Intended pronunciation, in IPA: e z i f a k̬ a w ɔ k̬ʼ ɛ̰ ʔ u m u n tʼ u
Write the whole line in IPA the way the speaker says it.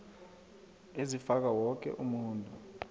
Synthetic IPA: e z i f a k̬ a w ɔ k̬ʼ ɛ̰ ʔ u m uː n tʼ u